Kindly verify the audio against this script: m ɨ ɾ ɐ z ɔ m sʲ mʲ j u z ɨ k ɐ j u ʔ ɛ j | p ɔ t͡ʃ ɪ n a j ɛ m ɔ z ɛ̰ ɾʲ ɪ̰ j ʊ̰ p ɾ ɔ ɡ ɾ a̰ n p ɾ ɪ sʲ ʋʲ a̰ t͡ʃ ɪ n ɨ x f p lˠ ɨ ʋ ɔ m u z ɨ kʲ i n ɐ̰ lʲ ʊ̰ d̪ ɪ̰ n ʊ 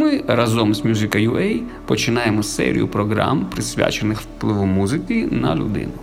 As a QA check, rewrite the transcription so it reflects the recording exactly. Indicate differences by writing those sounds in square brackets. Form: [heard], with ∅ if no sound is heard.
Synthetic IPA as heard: m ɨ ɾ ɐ z ɔ m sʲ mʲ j u z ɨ k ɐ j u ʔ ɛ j | p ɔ t͡ʃ ɪ n a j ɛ m ɔ [s] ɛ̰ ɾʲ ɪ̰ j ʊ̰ p ɾ ɔ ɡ ɾ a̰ [m] p ɾ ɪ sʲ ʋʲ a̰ t͡ʃ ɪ n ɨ x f p lˠ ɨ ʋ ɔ m u z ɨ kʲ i n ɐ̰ lʲ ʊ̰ d̪ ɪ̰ n ʊ